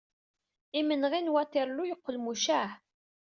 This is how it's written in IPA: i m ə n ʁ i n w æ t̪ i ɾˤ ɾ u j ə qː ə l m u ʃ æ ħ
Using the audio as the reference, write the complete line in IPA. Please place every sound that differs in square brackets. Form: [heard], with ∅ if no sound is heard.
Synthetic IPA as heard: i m ə n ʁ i n w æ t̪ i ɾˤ [l] u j ə qː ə l m u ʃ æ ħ

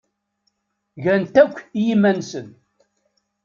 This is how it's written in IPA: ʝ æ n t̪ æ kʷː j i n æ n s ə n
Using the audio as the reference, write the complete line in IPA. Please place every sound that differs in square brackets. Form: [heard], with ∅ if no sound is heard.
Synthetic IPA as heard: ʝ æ n t̪ æ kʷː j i [m] æ n s ə n

